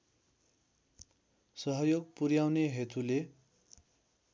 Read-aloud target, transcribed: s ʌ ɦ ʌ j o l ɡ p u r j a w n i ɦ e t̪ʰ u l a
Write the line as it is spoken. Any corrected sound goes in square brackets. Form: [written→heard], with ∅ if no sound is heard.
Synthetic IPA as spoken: s ʌ ɦ ʌ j o [l→∅] ɡ p u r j a w n [i→e] ɦ e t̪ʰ u l [a→e]